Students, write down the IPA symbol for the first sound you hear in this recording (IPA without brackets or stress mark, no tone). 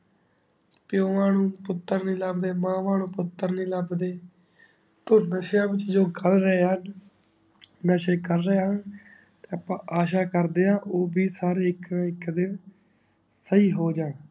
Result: p